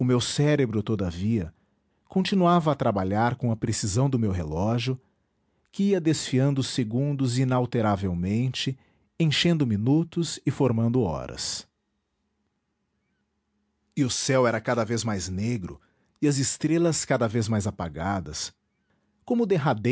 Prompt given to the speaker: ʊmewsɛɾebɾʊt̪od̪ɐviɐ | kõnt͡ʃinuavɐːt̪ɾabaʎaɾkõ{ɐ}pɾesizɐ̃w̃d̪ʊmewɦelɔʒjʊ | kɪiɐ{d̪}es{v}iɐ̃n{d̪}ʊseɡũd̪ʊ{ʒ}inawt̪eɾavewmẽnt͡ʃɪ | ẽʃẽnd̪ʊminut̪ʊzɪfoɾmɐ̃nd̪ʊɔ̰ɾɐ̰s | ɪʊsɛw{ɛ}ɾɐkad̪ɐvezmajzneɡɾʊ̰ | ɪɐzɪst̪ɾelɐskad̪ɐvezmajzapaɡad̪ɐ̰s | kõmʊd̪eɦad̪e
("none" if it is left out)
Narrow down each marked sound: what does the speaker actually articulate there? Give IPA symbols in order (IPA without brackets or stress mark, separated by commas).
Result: ɐ, d̪, f, d̪, z, ɛ